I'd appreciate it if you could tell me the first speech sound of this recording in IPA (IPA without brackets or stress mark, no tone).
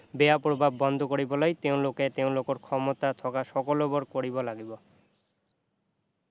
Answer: b